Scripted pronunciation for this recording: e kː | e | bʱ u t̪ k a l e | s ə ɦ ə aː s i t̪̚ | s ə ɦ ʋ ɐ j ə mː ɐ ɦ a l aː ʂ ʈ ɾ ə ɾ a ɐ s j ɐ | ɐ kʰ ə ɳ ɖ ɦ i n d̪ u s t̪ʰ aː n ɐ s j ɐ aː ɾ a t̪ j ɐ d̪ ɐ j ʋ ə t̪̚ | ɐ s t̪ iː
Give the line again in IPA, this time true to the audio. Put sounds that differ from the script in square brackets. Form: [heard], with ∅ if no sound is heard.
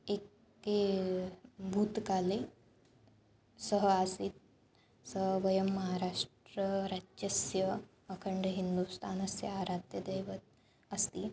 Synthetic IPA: e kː | e | bʱ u t̪ k a l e | s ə ɦ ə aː s i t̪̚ | s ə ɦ ʋ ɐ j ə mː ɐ ɦ a [ɾ] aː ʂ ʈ ɾ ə ɾ a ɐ s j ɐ | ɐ kʰ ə ɳ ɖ ɦ i n d̪ u s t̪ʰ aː n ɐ s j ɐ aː ɾ a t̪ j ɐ d̪ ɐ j ʋ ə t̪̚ | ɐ s t̪ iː

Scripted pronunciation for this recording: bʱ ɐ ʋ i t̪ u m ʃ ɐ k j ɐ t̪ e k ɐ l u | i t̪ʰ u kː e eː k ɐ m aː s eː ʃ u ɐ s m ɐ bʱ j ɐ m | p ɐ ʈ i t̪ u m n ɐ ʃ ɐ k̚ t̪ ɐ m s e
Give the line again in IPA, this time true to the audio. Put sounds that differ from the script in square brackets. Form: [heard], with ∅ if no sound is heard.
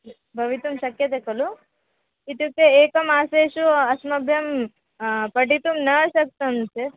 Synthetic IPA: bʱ ɐ ʋ i t̪ u m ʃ ɐ k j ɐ t̪ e k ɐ l u | i [t̪] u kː e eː k ɐ m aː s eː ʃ u ɐ s m ɐ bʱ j ɐ m | p ɐ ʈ i t̪ u m n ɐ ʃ ɐ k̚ t̪ ɐ m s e

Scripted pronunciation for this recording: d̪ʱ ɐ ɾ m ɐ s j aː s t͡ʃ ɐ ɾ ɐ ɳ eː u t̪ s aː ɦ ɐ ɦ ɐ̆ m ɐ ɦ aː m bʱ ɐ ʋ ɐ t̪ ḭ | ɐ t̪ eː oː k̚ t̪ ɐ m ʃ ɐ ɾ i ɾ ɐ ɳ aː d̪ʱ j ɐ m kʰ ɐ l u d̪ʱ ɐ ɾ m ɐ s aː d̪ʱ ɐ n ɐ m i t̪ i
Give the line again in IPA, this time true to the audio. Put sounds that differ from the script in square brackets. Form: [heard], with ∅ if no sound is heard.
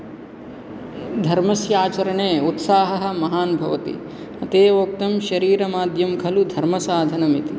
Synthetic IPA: d̪ʱ ɐ ɾ m ɐ s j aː [∅] t͡ʃ ɐ ɾ ɐ ɳ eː u t̪ s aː ɦ ɐ ɦ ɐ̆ m ɐ ɦ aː [n] bʱ ɐ ʋ ɐ t̪ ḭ | ɐ t̪ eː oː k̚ t̪ ɐ m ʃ ɐ ɾ [iː] ɾ ɐ [m] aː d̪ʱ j ɐ m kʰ ɐ l u d̪ʱ ɐ ɾ m ɐ s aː d̪ʱ ɐ n ɐ m i t̪ i

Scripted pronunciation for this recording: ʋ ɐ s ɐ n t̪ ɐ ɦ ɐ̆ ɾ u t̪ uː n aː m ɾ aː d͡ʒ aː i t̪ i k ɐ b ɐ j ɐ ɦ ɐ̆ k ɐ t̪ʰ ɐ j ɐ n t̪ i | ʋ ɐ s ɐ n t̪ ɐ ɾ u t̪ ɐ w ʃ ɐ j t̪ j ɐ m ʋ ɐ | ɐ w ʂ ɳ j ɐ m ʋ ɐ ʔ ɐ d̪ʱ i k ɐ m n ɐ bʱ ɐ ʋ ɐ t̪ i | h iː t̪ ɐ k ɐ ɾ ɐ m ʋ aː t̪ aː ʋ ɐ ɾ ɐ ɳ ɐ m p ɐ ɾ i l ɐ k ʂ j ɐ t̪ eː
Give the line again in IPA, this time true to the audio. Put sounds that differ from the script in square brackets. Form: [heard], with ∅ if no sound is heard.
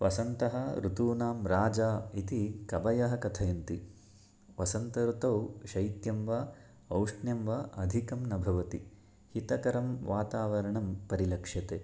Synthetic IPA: ʋ ɐ s ɐ n t̪ ɐ ɦ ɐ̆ ɾ u t̪ uː n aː m ɾ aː d͡ʒ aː i t̪ i k ɐ b ɐ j ɐ ɦ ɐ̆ k ɐ t̪ʰ ɐ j ɐ n t̪ i | ʋ ɐ s ɐ n t̪ ɐ ɾ u t̪ ɐ w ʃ ɐ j t̪ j ɐ m ʋ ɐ | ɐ w ʂ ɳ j ɐ m ʋ ɐ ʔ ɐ d̪ʱ i k ɐ m n ɐ bʱ ɐ ʋ ɐ t̪ i | h [i] t̪ ɐ k ɐ ɾ ɐ m ʋ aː t̪ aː ʋ ɐ ɾ ɐ ɳ ɐ m p ɐ ɾ i l ɐ k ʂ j ɐ t̪ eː

